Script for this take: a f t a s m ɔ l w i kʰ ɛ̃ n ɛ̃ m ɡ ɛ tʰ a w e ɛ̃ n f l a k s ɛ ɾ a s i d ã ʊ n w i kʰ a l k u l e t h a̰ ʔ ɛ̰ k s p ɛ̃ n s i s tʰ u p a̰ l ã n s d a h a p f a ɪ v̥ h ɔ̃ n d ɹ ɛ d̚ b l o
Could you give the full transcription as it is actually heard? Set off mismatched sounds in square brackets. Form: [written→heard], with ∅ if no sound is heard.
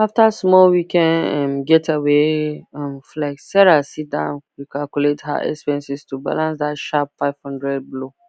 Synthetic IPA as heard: a f t a s m ɔ l w i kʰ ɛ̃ n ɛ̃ m ɡ ɛ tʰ a w e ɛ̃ [n→m] f l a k s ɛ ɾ a s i d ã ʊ n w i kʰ a l k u l e t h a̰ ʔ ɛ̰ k s p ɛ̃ n s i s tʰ u [p→b] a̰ l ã n s d a [h→ʃ] a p f a ɪ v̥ h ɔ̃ n d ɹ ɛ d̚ b l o